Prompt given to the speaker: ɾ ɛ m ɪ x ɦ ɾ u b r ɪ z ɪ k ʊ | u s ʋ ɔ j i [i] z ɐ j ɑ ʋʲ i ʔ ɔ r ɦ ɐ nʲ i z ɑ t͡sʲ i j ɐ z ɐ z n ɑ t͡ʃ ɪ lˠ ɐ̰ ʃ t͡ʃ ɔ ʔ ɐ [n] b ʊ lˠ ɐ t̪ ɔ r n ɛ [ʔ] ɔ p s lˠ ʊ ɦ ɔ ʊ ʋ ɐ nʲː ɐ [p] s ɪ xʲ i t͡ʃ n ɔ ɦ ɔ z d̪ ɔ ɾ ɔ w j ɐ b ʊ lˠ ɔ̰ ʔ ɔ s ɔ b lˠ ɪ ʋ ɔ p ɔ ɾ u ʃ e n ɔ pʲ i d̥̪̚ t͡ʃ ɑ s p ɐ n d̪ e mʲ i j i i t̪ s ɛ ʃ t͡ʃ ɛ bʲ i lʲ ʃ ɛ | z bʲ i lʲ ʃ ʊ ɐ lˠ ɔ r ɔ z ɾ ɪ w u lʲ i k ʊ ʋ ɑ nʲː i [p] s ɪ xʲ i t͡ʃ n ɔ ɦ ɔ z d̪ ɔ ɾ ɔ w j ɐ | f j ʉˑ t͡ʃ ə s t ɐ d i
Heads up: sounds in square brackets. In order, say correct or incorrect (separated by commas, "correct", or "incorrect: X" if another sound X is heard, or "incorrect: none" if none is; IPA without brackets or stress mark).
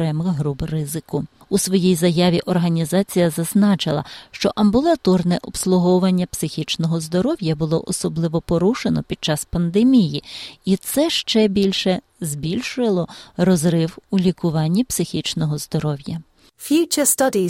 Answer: incorrect: j, incorrect: m, correct, correct, correct